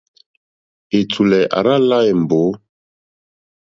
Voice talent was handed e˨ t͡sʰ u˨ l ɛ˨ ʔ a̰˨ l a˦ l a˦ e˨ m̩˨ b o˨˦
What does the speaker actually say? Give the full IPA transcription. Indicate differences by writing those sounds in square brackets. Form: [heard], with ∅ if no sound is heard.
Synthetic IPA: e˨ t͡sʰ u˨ l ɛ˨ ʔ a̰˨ [ɾ] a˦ l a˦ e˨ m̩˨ b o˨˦